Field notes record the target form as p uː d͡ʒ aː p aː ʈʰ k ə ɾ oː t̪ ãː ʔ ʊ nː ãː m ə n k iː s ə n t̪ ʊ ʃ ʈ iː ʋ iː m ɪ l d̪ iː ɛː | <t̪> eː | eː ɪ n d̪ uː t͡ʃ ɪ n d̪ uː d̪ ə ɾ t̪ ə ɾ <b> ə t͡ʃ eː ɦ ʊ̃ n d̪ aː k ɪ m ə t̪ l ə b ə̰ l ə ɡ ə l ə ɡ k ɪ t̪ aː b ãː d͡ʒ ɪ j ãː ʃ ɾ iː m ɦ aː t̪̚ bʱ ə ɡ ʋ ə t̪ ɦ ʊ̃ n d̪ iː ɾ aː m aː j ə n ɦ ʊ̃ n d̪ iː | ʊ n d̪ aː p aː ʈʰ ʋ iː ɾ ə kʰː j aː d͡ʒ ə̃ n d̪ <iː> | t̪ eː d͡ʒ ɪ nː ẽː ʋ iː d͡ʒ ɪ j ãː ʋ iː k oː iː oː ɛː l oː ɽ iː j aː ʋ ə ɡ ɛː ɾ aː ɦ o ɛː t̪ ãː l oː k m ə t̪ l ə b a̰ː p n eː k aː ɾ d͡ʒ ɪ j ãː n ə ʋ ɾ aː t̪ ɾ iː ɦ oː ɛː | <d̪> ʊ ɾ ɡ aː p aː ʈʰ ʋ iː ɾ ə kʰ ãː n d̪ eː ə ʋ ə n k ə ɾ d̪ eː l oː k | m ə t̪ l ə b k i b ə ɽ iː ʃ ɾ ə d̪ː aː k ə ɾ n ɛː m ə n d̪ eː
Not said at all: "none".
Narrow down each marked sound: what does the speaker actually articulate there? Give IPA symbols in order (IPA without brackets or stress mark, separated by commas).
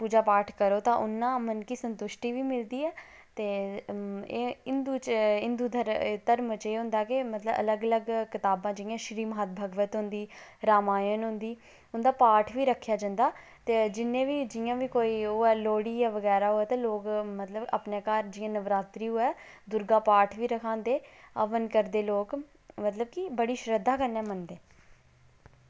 t̪, m, aː, d̪